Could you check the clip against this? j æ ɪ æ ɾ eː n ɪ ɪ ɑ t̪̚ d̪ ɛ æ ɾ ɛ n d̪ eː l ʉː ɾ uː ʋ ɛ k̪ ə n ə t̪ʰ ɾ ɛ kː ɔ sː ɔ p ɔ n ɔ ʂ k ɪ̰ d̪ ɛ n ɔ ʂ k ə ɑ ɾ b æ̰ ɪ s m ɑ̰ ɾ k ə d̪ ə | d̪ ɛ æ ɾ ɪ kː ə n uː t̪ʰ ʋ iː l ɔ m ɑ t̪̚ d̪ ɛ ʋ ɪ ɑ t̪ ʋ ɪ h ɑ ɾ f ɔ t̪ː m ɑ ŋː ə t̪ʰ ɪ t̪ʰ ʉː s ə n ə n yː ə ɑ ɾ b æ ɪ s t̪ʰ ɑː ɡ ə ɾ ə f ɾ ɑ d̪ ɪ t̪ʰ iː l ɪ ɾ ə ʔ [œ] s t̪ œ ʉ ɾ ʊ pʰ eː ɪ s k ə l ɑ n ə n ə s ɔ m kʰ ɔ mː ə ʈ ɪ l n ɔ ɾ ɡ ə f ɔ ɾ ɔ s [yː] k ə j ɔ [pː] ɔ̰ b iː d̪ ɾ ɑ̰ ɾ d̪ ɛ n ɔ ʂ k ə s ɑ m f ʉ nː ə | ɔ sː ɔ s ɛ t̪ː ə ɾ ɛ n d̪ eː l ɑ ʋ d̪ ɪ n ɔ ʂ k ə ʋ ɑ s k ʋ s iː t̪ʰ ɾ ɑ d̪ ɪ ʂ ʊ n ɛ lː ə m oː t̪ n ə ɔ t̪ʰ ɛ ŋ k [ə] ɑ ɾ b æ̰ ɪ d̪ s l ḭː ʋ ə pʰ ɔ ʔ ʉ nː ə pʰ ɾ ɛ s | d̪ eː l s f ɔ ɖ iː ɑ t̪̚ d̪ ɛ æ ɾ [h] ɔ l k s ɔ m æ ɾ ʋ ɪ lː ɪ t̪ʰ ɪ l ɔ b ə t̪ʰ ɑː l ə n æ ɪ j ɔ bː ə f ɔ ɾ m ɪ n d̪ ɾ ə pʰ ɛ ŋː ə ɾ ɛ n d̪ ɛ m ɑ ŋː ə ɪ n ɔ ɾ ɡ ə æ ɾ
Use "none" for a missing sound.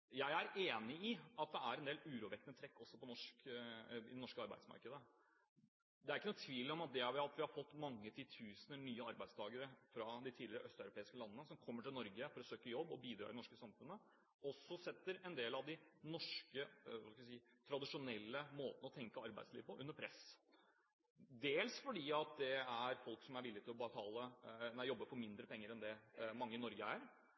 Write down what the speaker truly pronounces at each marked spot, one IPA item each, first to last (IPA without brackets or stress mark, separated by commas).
œ, øː, bː, ə, f